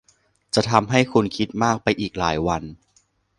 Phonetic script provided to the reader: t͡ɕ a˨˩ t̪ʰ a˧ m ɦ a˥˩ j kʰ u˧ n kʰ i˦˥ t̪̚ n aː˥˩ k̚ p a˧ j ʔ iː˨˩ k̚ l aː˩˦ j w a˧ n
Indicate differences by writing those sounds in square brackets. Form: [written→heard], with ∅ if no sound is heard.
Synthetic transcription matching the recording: t͡ɕ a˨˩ t̪ʰ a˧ m ɦ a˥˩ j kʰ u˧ n kʰ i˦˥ t̪̚ [n→m] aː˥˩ k̚ p a˧ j ʔ iː˨˩ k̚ l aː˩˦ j w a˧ n